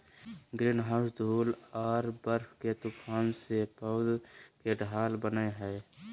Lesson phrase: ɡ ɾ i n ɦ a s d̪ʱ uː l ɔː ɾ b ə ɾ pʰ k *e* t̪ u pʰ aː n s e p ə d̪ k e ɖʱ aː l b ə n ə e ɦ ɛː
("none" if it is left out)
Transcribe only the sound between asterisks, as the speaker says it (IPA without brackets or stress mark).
e